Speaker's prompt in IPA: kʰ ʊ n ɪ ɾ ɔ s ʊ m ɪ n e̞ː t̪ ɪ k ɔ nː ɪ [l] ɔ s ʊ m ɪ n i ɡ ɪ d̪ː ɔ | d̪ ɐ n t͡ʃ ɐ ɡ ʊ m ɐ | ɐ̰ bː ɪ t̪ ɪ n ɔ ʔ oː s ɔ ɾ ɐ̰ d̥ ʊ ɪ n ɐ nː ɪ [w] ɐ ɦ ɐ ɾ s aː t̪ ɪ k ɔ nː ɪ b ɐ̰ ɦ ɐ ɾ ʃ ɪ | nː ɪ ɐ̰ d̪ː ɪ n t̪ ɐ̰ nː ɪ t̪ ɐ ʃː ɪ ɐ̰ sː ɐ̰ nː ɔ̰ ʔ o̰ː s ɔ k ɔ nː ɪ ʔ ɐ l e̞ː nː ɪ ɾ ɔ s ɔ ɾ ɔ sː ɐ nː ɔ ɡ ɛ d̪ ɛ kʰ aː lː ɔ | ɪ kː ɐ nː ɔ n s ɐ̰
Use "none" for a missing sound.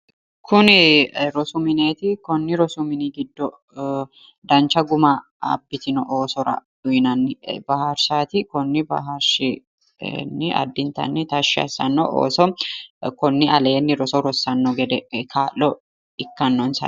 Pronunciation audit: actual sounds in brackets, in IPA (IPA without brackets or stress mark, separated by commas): ɾ, b